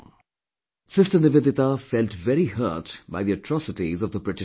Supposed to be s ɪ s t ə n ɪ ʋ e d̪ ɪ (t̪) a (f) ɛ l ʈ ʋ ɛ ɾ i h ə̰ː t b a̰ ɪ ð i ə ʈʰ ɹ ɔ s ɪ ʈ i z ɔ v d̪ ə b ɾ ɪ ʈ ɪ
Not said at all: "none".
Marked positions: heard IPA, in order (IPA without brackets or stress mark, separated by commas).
t̪, f